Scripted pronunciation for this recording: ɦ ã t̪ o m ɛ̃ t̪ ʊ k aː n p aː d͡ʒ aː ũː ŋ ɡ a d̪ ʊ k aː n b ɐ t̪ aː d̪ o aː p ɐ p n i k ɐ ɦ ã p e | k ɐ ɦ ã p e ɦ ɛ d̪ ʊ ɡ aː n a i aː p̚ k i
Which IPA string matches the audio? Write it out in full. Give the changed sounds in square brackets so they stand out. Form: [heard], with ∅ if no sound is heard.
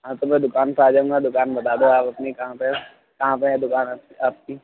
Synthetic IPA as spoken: ɦ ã t̪ o m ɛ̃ [d̪] ʊ k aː n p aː d͡ʒ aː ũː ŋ ɡ a d̪ ʊ k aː n b ɐ t̪ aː d̪ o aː p ɐ p n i k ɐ ɦ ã p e | k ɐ ɦ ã p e ɦ ɛ d̪ ʊ [k] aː n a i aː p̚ k i